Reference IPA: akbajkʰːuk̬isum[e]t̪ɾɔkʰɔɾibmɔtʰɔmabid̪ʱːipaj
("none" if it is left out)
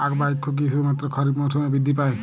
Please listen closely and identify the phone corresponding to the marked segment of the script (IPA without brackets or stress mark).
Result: a